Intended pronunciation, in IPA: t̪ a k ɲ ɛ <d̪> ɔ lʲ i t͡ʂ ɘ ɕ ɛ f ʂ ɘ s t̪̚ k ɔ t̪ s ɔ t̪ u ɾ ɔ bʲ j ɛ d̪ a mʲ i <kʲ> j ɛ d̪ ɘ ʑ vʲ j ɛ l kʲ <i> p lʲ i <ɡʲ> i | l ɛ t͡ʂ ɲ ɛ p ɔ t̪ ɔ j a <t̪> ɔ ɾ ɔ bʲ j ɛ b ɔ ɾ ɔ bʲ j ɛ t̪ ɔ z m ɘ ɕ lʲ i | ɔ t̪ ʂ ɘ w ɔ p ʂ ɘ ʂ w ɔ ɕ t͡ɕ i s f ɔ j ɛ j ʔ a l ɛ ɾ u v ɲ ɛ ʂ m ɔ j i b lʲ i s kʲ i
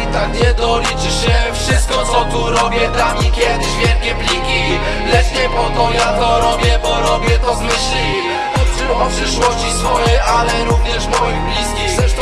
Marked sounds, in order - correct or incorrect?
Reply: correct, correct, incorrect: ɛ, incorrect: kʲ, correct

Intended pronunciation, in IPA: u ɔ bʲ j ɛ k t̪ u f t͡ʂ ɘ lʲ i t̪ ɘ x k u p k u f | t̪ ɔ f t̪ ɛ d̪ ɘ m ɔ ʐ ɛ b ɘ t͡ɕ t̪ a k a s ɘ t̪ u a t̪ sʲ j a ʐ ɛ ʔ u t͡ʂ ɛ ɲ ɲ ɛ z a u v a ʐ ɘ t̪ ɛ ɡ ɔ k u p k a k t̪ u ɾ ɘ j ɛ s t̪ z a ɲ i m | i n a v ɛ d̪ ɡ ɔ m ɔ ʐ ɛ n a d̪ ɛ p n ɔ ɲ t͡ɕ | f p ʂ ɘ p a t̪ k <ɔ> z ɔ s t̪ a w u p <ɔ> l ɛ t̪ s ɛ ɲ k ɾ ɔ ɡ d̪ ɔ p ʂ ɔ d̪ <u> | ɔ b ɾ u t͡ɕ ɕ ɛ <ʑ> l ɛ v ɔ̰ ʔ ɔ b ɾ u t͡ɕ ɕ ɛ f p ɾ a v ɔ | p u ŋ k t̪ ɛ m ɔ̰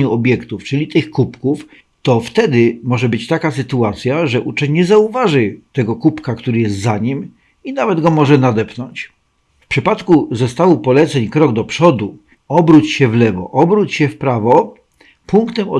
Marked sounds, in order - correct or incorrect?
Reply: incorrect: u, correct, correct, incorrect: v

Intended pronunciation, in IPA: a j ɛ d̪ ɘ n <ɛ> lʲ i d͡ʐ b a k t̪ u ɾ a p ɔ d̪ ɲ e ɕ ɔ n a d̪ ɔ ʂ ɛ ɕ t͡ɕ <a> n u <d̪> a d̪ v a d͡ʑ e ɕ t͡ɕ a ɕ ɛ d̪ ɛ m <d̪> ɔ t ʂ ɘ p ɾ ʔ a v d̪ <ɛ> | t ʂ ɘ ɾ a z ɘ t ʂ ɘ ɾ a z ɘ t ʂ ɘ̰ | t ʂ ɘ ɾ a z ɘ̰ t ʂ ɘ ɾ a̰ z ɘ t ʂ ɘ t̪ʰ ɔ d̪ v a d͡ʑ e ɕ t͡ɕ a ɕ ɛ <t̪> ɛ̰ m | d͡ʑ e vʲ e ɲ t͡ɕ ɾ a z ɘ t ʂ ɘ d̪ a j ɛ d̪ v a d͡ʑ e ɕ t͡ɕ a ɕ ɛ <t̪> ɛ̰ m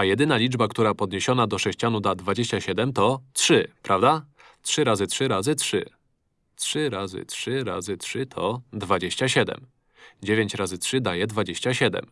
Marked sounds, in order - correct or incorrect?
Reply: incorrect: a, correct, correct, incorrect: t̪, incorrect: a, incorrect: d̪, incorrect: d̪

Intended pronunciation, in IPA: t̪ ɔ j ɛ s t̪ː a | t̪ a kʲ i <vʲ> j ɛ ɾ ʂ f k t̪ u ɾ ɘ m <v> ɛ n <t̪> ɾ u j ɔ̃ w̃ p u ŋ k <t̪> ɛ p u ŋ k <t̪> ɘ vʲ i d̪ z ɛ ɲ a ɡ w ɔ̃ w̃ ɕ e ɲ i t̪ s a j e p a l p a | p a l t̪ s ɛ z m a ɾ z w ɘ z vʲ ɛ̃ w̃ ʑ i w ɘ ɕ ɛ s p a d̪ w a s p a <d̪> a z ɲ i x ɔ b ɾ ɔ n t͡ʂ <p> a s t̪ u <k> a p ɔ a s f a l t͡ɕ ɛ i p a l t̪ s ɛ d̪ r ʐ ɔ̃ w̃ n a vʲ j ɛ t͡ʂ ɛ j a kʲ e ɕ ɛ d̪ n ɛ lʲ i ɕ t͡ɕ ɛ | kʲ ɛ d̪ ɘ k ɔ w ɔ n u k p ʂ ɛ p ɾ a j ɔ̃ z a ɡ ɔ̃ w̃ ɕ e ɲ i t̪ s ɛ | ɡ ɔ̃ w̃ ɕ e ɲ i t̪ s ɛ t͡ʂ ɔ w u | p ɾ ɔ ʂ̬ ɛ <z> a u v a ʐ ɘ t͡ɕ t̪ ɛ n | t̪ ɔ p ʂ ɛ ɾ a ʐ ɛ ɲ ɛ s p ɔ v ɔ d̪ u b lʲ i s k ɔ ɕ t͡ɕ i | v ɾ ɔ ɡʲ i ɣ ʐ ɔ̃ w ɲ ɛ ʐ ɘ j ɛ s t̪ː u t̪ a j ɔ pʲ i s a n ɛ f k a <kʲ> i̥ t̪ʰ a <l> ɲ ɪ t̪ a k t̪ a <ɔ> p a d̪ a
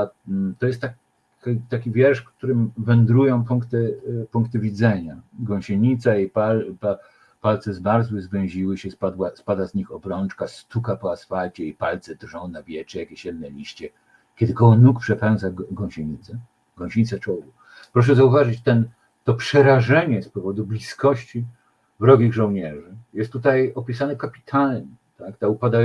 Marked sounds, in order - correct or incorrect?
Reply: correct, correct, incorrect: d̪, correct, correct, correct, incorrect: k, correct, correct, incorrect: pʲ, correct, incorrect: u

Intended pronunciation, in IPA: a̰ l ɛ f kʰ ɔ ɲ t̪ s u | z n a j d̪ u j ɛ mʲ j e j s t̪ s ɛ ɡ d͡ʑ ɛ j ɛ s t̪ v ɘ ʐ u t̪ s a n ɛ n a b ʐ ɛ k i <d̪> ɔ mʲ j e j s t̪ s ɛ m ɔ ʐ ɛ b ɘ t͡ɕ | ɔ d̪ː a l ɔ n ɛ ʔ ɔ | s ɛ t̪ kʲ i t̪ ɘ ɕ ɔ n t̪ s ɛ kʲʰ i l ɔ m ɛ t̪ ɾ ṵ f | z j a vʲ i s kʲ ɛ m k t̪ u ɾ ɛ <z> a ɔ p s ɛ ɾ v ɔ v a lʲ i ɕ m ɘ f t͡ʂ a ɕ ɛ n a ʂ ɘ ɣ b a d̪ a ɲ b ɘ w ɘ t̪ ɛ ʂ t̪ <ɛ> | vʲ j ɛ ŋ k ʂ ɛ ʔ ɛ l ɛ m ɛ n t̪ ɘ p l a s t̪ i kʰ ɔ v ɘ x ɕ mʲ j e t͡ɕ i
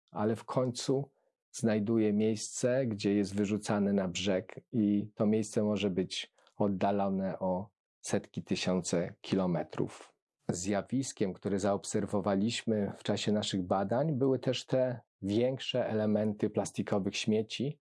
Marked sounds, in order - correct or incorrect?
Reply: incorrect: t̪, correct, correct

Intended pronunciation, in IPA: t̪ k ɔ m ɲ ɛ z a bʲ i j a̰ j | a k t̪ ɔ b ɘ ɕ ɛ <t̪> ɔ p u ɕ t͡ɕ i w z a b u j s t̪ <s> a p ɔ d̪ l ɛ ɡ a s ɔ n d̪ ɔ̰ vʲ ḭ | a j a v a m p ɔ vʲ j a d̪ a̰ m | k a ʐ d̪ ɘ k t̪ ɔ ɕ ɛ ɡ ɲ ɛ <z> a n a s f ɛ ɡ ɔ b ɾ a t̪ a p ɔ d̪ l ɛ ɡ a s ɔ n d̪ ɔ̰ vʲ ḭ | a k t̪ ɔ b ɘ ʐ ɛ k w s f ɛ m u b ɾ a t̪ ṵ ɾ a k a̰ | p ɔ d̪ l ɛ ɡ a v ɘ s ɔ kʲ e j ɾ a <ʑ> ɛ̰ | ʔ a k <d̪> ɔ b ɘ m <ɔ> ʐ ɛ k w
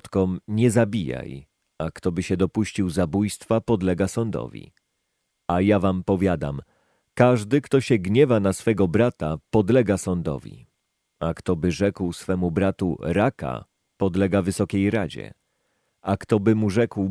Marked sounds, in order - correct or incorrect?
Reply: incorrect: d̪, incorrect: f, incorrect: v, incorrect: d͡ʑ, incorrect: t̪, incorrect: u

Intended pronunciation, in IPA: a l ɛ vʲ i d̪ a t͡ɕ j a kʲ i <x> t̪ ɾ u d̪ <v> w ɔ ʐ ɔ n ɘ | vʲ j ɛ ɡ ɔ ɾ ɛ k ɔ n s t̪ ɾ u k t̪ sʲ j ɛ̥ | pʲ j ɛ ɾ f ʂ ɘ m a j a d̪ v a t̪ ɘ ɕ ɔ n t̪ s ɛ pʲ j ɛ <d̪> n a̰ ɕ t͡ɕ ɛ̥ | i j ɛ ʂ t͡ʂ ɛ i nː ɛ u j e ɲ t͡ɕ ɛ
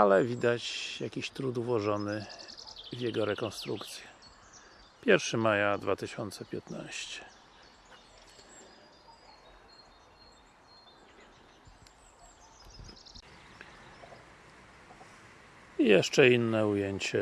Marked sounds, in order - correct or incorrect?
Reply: incorrect: ɕ, correct, incorrect: t̪

